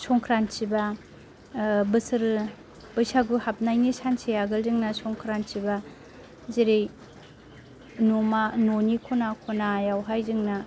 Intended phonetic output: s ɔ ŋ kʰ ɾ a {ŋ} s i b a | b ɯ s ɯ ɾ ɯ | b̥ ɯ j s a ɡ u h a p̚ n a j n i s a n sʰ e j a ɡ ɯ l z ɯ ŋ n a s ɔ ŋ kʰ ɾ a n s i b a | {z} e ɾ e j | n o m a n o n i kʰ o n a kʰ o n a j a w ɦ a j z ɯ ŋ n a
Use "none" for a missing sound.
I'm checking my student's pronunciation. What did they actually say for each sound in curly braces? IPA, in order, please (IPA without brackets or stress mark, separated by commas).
n, z